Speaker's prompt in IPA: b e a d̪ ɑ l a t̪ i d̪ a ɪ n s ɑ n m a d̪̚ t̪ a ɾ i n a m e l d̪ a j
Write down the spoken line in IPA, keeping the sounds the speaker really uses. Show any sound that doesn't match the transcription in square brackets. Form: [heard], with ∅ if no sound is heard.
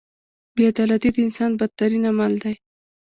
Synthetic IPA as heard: b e a d̪ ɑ l a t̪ i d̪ [ə] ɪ n s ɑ n [b] a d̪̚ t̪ a ɾ i n a m [a] l d̪ a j